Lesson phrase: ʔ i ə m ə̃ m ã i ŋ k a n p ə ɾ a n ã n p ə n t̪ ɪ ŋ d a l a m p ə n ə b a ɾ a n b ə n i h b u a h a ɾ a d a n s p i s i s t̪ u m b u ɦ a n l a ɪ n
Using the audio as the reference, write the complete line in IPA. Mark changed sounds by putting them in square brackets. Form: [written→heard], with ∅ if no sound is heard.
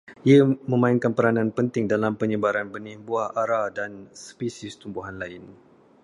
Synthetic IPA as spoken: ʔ i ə m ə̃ m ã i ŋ k a n p ə ɾ a n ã n p ə n t̪ ɪ ŋ d a l a m p ə [n→ɲ] ə b a ɾ a n b ə n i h b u a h a ɾ a d a n s p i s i s t̪ u m b u ɦ a n l a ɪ n